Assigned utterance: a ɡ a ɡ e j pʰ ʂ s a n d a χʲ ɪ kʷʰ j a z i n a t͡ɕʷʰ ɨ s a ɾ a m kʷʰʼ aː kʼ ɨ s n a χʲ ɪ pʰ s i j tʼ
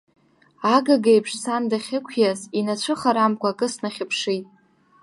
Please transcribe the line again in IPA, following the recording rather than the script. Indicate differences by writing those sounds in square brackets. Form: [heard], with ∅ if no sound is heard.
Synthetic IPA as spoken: a ɡ a ɡ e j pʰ ʂ s a n d a χʲ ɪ kʷʰ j a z i n a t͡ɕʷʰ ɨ [χ] a ɾ a m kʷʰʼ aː kʼ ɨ s n a χʲ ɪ pʰ [ʂ] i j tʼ